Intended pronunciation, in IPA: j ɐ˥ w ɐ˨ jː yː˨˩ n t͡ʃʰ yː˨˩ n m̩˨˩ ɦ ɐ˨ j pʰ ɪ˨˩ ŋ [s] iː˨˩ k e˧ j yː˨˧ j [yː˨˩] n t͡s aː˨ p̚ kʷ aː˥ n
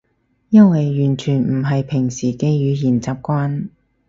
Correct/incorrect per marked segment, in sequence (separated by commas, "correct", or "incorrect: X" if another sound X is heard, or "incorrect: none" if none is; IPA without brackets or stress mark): correct, incorrect: iː˨˩